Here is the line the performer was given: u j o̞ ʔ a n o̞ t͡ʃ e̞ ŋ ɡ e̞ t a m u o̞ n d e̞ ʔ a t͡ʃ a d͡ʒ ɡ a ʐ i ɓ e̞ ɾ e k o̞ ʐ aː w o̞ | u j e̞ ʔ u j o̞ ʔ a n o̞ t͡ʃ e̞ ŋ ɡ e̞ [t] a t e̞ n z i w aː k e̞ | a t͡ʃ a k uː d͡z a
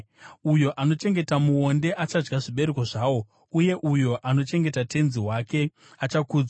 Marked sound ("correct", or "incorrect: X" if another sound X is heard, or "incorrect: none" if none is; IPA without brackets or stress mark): correct